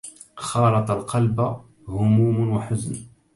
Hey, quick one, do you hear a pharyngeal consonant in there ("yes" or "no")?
yes